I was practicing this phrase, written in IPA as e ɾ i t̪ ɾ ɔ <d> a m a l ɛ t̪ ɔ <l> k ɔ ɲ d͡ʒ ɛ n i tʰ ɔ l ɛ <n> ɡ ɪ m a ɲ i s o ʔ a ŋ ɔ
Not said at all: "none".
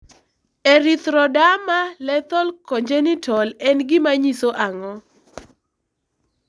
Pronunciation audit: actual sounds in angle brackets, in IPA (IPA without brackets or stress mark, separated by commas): d, l, n